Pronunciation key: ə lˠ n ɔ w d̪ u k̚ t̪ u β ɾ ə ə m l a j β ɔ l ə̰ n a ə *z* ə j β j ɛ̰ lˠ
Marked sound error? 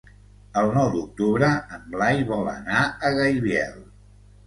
yes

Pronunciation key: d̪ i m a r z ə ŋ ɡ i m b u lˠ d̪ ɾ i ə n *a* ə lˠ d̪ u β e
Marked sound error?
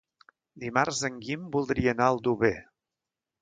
no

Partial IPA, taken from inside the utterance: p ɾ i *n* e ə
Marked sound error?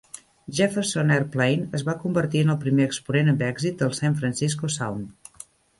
yes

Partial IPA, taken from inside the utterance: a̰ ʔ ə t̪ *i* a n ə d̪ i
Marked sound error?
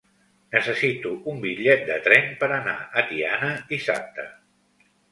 no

